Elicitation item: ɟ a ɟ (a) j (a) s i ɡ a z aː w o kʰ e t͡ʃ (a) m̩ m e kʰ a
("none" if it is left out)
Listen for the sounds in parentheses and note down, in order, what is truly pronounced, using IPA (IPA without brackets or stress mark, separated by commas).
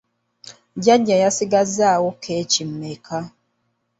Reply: a, a, i